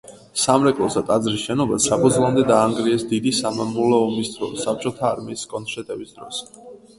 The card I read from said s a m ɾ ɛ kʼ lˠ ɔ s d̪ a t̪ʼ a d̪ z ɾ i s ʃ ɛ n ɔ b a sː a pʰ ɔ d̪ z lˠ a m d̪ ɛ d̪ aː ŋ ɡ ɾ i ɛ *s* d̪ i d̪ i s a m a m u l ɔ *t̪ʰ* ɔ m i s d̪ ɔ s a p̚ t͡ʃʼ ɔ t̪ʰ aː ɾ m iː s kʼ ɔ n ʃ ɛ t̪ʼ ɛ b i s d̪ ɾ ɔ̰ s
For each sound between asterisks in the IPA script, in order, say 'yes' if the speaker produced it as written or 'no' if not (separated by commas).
yes, no